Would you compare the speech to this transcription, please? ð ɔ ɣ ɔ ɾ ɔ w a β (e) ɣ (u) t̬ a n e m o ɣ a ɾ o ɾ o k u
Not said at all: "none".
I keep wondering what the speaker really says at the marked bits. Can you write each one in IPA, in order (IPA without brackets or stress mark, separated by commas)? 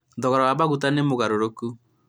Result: a, u